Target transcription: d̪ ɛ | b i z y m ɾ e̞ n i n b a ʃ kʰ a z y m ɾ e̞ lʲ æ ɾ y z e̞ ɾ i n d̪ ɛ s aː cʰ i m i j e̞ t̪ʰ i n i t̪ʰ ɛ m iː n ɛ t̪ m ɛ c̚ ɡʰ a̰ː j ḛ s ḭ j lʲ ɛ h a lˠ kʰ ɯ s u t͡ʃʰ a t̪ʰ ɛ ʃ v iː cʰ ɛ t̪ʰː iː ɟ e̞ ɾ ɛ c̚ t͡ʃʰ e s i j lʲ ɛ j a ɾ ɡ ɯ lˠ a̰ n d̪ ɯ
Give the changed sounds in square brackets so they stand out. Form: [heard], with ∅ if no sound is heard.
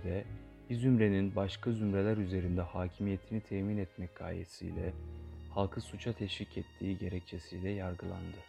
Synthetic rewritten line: d̪ ɛ | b i z y m ɾ e̞ n i n b a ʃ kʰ a z y m ɾ e̞ lʲ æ ɾ y z e̞ ɾ i n d̪ ɛ [h] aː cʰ i m i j e̞ t̪ʰ i n i t̪ʰ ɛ m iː n ɛ t̪ m ɛ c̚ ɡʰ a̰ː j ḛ s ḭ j lʲ ɛ h a lˠ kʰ ɯ s u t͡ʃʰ a t̪ʰ ɛ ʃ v [i] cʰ ɛ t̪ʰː iː ɟ e̞ ɾ ɛ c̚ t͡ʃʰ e s i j lʲ ɛ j a ɾ ɡ ɯ lˠ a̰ n d̪ ɯ